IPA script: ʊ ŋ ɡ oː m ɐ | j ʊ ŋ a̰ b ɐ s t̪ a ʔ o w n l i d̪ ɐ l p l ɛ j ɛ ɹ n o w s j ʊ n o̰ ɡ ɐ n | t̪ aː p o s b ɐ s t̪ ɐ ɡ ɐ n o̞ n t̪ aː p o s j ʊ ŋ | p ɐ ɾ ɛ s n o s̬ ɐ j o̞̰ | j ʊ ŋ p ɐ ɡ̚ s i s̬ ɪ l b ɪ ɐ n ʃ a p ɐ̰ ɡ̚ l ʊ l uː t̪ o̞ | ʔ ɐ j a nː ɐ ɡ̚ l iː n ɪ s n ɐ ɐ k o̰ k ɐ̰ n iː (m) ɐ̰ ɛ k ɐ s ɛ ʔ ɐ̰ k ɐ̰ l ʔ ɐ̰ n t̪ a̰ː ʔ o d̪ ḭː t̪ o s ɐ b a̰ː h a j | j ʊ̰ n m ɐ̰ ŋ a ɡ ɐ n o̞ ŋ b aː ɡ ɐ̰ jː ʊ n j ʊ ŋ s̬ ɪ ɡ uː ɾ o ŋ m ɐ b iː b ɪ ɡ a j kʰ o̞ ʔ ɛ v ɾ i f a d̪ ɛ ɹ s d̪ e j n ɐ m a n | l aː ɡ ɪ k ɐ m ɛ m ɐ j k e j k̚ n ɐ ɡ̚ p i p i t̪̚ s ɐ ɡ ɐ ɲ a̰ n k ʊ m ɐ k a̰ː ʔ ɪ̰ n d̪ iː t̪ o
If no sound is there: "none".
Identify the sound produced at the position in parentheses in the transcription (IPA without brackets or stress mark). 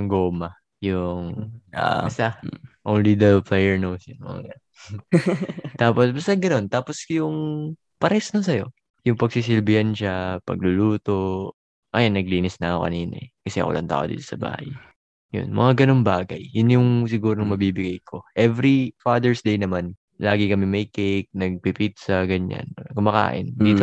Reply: n